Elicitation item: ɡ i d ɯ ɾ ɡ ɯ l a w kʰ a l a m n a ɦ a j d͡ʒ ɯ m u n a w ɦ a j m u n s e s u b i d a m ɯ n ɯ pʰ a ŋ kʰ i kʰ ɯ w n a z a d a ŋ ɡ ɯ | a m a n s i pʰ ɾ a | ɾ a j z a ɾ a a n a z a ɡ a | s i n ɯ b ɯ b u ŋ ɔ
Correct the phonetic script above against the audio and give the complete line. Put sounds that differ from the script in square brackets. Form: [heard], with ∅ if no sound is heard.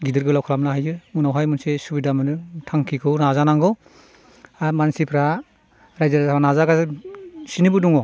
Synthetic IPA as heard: ɡ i d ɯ ɾ ɡ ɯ l a w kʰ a l a m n a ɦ a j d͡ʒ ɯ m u n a w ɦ a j m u n s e s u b i d a m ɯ n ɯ [tʰ] a ŋ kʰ i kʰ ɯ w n a z a [n] a ŋ ɡ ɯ | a m a n s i pʰ ɾ a | ɾ a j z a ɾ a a n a z a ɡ a | s i n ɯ b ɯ [d] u ŋ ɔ